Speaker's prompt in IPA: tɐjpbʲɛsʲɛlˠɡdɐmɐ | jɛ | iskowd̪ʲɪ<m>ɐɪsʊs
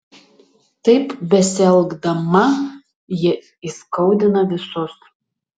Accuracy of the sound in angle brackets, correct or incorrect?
incorrect